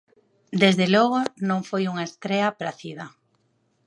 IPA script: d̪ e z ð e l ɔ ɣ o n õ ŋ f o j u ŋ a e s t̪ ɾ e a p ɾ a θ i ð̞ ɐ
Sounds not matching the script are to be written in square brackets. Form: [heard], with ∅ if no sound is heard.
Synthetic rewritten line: d̪ e z ð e l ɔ ɣ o n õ ŋ f o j u ŋ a e s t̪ ɾ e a p ɾ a θ i ð̞ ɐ